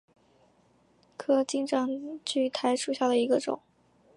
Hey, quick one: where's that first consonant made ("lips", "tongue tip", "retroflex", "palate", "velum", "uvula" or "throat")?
velum